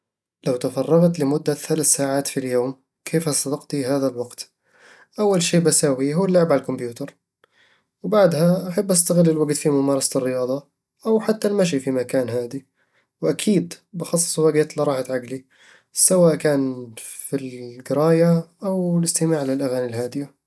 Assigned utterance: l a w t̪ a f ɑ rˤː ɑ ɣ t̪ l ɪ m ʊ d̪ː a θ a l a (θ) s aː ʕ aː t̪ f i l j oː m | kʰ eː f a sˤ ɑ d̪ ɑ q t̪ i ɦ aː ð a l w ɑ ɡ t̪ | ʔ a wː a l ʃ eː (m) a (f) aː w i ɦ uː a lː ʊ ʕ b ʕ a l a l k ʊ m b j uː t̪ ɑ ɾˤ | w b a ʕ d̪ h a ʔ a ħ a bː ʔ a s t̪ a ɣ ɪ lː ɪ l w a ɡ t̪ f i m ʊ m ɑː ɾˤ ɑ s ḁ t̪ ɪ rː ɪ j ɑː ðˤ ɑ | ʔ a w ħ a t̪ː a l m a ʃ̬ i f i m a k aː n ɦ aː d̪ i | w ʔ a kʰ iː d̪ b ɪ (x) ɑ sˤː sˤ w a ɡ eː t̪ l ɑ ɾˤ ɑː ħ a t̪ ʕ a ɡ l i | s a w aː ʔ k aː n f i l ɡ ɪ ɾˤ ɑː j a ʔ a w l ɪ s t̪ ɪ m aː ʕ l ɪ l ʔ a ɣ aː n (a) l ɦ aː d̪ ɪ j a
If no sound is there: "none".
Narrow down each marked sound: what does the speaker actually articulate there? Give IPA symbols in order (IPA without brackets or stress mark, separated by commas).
θ, b, s, x, i